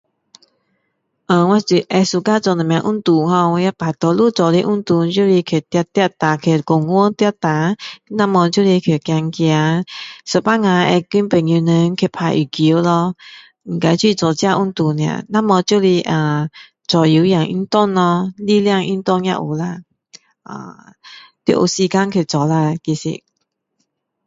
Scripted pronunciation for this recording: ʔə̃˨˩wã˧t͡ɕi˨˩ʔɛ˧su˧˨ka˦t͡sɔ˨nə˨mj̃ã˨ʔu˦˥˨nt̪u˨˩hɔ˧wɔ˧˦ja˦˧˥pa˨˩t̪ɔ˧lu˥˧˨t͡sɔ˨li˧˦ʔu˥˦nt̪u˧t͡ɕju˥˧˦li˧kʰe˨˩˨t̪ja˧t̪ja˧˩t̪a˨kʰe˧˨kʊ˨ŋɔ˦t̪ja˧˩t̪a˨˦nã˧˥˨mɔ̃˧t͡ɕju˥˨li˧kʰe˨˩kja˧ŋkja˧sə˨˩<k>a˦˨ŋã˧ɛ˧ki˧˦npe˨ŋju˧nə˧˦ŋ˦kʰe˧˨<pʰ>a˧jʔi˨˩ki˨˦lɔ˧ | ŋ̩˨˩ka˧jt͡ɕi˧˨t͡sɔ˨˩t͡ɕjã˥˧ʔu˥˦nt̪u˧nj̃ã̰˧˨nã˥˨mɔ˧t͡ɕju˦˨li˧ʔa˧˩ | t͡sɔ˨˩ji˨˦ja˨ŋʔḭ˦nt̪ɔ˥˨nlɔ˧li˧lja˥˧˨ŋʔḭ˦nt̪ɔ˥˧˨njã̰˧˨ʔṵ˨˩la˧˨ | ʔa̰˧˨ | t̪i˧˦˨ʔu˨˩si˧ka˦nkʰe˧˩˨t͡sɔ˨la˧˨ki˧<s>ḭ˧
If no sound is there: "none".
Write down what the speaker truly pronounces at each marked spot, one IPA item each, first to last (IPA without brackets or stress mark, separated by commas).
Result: p, pʰ, s